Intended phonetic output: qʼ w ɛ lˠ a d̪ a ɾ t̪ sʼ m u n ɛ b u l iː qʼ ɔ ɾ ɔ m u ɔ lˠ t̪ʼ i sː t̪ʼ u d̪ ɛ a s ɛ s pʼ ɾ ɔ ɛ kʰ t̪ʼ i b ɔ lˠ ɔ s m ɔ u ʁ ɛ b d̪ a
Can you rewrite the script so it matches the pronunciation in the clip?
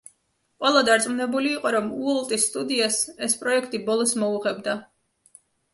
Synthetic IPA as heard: qʼ w ɛ lˠ a d̪ a ɾ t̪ sʼ m u n ɛ b u l iː qʼ ɔ ɾ ɔ m u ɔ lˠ t̪ʼ i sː t̪ʼ u d̪ i a s ɛ s pʼ ɾ ɔ ɛ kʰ t̪ʼ i b ɔ lˠ ɔ s m ɔ u ʁ ɛ b d̪ a